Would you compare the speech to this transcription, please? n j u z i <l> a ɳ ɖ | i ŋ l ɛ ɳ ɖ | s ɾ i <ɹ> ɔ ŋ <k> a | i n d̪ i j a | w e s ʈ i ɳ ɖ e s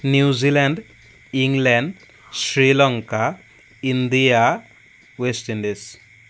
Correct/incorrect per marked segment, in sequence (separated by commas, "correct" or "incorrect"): correct, incorrect, correct